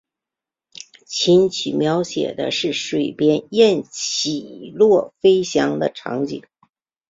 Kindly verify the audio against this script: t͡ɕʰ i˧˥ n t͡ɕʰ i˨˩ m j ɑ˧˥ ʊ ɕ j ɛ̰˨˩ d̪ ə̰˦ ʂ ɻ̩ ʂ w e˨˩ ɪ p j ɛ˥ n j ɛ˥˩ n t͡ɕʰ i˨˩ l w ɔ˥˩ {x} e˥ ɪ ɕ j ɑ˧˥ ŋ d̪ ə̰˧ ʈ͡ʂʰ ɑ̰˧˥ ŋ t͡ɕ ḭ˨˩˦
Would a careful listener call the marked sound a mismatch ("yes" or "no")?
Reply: yes